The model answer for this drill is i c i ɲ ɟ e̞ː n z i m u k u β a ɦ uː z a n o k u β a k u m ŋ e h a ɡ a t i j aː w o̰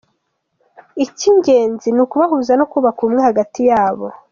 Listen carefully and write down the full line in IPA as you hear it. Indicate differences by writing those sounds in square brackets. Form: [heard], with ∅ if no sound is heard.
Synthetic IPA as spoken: i c i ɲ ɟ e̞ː n z i [n] u k u β a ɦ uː z a n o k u β a k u m ŋ e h a ɡ a t i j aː [β] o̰